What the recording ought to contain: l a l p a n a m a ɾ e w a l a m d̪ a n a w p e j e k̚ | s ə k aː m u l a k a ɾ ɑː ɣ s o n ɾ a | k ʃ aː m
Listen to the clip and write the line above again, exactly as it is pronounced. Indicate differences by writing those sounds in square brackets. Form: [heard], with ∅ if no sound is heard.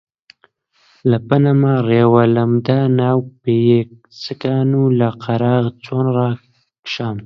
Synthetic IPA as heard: l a [∅] p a n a m a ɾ e w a l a m d̪ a n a w p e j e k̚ | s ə k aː [n] u l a [q] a ɾ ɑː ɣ [t͡s] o n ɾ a | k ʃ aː m